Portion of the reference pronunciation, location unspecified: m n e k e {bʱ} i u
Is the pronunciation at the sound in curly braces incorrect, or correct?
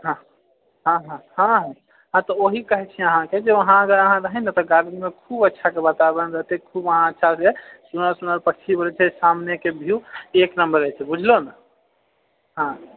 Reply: correct